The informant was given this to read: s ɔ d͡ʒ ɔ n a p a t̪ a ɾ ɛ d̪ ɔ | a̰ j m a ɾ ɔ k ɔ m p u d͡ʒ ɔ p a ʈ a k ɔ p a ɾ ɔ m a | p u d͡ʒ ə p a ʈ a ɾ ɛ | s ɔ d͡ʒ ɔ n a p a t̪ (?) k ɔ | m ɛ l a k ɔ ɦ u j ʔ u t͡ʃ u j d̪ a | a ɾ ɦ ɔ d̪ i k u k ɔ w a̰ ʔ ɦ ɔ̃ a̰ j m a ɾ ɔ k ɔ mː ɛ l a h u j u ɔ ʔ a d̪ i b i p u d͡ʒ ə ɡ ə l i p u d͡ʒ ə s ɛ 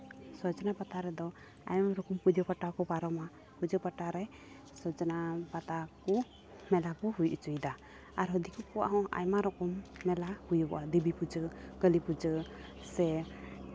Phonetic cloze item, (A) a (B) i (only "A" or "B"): A